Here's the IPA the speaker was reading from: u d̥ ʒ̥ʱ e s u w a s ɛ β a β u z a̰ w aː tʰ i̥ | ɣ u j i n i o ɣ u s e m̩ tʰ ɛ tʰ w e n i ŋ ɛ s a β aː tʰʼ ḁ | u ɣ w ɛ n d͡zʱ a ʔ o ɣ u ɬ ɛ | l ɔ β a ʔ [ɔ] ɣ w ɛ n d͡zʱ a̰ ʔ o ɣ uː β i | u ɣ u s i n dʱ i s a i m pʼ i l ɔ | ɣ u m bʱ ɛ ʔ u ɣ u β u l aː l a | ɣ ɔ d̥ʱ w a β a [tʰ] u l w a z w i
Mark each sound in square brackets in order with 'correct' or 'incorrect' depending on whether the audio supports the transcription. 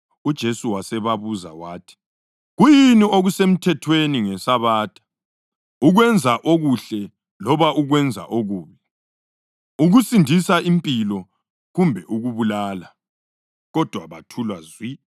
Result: incorrect: u, correct

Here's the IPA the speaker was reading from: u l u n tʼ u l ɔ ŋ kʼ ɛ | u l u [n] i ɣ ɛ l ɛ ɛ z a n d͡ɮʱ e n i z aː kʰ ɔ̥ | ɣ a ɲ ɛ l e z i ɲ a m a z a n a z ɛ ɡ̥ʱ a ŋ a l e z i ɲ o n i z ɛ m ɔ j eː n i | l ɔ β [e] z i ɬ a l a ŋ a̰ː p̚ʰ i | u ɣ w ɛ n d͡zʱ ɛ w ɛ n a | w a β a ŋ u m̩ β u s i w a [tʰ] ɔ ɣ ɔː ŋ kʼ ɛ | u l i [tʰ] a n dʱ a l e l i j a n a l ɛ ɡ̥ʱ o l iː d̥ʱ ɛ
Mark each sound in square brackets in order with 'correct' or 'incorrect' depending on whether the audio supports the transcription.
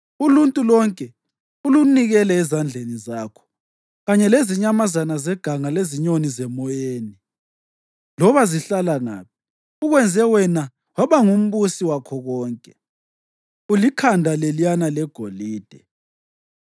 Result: correct, incorrect: a, incorrect: kʰ, incorrect: kʰ

